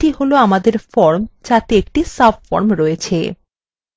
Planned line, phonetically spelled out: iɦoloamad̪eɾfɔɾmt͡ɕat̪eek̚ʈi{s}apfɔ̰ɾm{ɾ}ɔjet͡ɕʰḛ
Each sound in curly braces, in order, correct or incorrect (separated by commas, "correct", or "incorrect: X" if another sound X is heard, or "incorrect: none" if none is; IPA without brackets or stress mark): correct, correct